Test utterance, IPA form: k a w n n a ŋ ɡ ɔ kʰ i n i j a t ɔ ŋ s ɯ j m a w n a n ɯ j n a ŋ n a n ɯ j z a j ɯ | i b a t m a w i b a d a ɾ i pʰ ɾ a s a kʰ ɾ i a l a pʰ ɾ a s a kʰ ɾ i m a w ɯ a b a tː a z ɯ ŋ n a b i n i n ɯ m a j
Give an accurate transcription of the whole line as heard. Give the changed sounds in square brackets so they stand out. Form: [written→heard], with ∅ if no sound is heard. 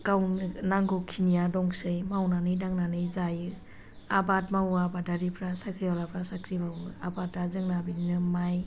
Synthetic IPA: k a w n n a ŋ ɡ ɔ kʰ i n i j a [t→d] ɔ ŋ s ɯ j m a w n a n ɯ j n a ŋ n a n ɯ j z a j ɯ | [i→a] b a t m a w [i→a] b a d a ɾ i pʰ ɾ a s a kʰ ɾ i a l a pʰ ɾ a s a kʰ ɾ i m a w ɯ a b a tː a z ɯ ŋ n a b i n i n ɯ m a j